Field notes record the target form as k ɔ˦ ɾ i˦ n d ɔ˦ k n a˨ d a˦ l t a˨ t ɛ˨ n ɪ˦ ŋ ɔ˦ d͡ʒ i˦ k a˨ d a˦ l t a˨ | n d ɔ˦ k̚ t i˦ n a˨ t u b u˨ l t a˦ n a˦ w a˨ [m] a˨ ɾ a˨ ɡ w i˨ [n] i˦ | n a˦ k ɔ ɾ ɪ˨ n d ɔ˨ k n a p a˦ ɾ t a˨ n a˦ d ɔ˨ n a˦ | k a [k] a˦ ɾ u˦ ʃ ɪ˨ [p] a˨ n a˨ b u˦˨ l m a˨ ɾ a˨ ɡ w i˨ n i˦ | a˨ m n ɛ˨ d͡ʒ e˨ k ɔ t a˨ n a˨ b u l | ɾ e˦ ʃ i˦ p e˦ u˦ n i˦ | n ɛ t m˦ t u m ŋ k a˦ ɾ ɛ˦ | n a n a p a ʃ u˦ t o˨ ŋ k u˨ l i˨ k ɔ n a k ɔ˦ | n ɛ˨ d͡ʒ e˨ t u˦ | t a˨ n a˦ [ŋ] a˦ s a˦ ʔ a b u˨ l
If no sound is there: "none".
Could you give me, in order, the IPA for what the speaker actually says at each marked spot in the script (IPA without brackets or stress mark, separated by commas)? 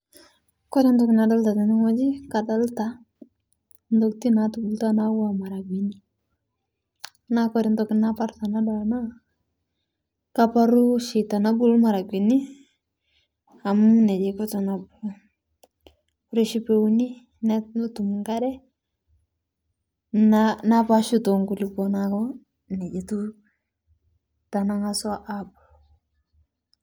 m, n, p, t, ŋ